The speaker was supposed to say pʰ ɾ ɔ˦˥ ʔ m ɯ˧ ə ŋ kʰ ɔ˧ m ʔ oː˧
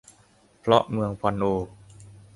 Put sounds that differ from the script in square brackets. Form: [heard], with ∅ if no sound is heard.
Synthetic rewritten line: pʰ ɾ ɔ˦˥ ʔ m ɯ˧ ə ŋ [pʰ] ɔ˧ [n] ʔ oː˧